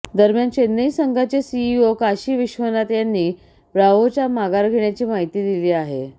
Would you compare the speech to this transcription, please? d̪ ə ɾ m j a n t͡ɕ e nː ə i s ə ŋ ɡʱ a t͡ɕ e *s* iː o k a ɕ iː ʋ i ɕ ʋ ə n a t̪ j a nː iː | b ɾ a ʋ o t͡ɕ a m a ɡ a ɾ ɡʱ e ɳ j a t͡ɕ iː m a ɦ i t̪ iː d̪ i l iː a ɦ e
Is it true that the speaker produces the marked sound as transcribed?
yes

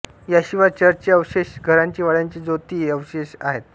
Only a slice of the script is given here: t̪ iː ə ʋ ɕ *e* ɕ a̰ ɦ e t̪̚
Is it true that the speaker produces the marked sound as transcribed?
yes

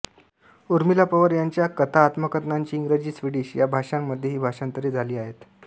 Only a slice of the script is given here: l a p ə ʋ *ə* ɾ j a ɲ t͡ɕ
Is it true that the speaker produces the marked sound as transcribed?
yes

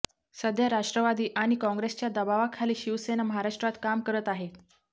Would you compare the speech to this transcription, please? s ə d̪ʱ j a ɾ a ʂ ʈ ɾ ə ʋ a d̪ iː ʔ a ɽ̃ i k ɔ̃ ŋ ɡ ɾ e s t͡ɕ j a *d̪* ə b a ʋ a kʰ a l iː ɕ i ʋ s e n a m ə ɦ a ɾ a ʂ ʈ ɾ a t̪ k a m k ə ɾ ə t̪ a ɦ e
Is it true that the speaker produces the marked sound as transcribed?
yes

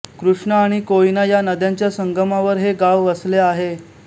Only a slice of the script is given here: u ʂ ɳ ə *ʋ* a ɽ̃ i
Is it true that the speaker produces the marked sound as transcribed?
no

